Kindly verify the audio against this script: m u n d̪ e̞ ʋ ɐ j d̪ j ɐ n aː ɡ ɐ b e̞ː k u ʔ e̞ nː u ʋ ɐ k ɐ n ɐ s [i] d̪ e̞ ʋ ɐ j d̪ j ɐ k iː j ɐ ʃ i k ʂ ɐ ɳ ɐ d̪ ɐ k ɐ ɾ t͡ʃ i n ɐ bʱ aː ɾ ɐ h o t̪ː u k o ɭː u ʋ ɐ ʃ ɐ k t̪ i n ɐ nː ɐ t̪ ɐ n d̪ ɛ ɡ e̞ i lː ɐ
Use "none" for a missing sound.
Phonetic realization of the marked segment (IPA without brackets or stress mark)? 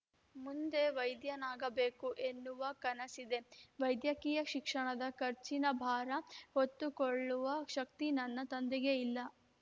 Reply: i